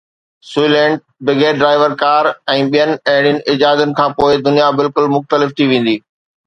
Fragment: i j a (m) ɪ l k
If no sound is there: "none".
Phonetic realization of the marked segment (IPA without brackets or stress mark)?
b